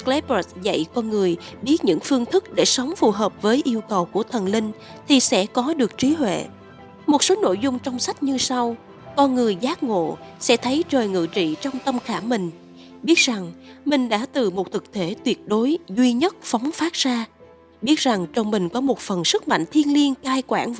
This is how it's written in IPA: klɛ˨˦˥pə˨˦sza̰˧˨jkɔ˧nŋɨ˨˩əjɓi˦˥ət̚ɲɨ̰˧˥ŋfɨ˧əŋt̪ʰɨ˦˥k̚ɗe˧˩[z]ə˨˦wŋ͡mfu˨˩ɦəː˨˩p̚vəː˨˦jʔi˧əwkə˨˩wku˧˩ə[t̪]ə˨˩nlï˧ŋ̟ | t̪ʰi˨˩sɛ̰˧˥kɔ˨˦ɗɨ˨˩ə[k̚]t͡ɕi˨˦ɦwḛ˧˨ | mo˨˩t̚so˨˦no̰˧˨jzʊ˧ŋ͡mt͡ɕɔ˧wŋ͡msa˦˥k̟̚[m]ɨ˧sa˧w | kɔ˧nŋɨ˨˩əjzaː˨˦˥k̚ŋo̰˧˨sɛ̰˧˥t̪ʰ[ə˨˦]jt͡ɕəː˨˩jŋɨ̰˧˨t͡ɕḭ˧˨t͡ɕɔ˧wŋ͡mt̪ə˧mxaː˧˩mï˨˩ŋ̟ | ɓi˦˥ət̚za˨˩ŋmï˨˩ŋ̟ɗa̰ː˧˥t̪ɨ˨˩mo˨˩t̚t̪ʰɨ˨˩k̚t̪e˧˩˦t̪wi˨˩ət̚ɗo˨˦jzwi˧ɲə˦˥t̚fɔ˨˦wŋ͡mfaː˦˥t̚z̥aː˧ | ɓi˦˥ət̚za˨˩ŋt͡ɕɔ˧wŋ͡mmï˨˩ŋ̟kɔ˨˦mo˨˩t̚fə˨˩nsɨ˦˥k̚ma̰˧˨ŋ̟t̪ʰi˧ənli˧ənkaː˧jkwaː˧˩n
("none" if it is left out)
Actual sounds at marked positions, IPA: s, t̪ʰ, k̚, ɲ, ə˨˦

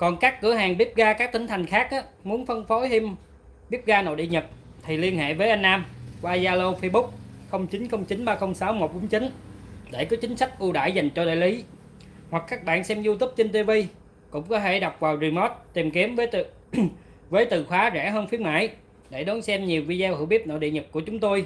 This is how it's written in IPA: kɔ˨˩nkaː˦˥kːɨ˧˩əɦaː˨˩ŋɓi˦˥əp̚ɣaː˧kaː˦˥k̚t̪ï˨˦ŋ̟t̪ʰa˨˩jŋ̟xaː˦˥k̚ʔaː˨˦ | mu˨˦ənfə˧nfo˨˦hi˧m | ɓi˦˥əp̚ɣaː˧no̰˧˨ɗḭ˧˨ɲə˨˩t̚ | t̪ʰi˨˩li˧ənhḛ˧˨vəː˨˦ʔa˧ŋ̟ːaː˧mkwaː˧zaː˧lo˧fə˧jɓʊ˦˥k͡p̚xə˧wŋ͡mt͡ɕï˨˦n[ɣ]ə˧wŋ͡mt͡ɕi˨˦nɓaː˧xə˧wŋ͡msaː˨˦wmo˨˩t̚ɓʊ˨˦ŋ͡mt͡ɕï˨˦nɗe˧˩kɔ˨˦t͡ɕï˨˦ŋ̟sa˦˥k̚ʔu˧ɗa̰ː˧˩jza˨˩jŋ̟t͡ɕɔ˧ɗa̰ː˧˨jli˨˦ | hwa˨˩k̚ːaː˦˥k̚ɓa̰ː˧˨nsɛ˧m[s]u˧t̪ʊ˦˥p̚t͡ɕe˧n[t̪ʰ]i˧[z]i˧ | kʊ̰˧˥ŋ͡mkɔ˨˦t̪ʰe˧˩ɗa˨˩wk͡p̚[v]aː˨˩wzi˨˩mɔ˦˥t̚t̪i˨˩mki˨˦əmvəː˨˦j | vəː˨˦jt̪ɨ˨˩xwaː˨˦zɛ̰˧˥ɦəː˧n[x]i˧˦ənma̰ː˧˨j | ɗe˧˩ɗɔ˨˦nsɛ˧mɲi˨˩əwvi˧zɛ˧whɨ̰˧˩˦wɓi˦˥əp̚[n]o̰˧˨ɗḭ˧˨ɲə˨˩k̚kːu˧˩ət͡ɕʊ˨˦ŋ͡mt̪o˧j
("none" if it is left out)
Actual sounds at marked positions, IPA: x, z, t̪, v, v, f, n

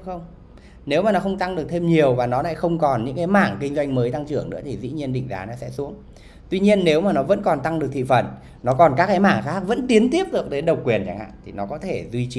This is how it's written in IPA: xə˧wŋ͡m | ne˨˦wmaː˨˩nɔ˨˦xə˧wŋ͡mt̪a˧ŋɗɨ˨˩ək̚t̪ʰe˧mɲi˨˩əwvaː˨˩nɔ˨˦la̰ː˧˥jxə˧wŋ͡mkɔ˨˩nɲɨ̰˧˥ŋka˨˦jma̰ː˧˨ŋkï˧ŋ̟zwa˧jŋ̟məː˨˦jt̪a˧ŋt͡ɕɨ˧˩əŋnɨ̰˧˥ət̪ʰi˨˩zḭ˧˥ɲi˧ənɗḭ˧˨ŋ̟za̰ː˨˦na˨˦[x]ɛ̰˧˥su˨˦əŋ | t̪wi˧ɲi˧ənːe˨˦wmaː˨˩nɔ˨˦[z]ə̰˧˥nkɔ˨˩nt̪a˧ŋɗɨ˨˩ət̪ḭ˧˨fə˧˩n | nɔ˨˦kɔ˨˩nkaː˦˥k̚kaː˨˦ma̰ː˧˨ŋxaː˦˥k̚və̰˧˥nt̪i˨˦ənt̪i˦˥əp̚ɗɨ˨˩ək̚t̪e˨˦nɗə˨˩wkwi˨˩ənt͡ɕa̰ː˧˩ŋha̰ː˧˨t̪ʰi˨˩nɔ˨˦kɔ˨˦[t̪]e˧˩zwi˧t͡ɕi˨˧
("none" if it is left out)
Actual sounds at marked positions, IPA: s, v, t̪ʰ

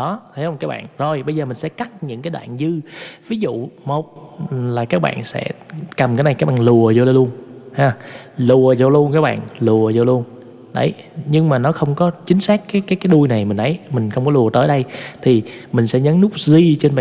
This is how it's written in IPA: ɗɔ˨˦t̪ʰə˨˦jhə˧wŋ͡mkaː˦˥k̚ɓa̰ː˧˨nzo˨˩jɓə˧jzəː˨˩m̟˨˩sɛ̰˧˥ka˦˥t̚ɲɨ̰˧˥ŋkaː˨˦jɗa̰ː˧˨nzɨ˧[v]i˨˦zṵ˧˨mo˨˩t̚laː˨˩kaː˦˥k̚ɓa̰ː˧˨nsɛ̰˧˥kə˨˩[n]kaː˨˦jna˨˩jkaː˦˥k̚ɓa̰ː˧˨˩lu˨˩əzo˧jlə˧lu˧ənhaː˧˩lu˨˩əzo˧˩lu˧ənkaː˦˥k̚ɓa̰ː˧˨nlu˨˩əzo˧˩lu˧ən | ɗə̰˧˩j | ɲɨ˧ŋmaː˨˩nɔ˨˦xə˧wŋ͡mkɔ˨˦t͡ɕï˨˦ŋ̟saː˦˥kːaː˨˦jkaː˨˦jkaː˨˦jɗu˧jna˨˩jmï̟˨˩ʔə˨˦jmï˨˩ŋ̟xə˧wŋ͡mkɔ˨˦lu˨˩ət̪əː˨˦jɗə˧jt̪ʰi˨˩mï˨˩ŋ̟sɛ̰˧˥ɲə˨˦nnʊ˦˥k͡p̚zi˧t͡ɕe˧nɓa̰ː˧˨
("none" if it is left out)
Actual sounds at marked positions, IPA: v, m

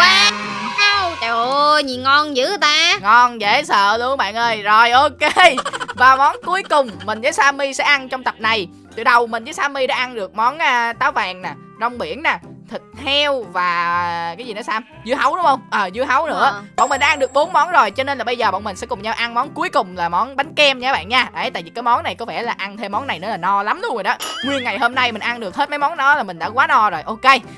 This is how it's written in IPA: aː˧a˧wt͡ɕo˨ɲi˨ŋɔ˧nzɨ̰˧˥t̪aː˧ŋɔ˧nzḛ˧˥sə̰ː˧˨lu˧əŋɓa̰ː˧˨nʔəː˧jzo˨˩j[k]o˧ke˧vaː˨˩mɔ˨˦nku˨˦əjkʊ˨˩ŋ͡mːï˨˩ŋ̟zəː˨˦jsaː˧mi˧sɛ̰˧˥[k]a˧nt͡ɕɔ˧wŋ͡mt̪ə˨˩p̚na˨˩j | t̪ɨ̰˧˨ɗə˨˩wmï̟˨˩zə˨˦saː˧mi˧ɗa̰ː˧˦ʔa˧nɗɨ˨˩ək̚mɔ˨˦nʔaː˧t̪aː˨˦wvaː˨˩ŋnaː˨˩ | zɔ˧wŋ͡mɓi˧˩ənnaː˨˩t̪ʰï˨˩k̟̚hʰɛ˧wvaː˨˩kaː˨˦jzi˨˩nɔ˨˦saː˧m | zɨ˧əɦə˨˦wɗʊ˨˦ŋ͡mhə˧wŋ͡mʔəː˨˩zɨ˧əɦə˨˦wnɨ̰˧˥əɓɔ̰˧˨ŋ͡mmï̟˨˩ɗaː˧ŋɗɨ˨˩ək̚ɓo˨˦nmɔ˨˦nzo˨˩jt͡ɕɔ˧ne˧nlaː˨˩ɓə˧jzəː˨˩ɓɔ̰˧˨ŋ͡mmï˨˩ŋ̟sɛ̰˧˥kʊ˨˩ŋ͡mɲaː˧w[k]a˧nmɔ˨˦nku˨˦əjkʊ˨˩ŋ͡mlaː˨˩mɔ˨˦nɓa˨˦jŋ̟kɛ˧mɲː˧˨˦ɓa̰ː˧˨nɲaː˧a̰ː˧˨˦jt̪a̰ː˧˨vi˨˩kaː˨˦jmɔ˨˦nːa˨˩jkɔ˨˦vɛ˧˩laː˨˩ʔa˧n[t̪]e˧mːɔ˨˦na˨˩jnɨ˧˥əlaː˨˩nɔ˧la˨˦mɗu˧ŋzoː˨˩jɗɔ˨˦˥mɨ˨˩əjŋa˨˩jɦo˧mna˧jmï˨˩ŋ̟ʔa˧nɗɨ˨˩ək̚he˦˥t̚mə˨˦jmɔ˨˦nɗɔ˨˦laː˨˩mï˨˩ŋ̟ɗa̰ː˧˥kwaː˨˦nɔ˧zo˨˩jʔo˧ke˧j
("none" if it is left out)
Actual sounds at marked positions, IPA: ʔ, ʔ, ʔ, t̪ʰ

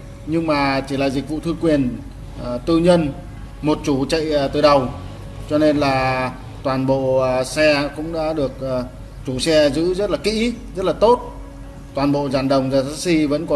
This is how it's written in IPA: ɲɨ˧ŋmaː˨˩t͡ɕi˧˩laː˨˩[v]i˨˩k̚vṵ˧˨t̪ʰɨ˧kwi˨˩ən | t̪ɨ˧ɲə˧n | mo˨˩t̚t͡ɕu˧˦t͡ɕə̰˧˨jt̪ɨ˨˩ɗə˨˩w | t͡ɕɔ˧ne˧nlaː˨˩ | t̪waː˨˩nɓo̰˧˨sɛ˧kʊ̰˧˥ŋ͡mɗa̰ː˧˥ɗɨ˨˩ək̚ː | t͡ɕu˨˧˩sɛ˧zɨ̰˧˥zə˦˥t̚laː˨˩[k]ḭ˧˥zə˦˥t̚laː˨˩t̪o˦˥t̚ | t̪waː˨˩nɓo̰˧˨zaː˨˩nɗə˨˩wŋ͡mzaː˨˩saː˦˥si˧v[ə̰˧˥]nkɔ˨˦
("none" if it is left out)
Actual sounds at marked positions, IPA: z, k, ə̰˧˥

